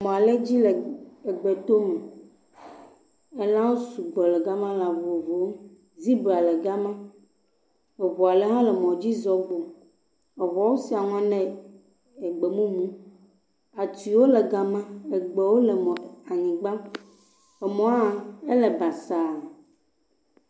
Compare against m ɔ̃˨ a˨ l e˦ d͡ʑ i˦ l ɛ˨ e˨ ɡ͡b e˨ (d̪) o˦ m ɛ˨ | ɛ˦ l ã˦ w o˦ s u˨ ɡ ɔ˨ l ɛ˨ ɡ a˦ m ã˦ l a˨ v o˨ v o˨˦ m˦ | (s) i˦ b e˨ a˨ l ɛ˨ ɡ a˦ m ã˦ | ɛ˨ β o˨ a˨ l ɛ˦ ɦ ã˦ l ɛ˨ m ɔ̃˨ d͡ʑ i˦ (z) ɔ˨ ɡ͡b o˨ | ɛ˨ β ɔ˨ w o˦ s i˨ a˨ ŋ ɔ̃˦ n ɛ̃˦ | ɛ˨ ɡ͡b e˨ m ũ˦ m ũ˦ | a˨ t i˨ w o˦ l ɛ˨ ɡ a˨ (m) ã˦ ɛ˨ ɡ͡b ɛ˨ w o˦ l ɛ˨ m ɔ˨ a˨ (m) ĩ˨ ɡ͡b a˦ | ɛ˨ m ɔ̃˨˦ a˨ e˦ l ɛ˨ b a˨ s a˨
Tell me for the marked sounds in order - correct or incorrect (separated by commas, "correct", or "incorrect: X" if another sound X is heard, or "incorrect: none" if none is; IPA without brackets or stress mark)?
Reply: incorrect: t̪, incorrect: z, correct, correct, incorrect: ɲ